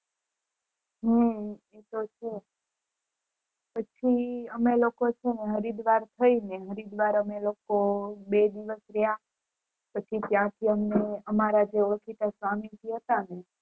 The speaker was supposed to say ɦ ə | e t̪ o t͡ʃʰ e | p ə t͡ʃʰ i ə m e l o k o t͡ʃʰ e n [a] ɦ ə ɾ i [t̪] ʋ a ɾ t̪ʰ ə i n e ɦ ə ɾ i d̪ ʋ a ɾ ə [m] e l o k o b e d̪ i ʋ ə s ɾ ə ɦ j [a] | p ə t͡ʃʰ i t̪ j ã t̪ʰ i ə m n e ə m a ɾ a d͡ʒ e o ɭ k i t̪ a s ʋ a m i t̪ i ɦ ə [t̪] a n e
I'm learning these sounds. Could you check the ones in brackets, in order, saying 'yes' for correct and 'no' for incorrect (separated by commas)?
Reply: no, no, yes, yes, yes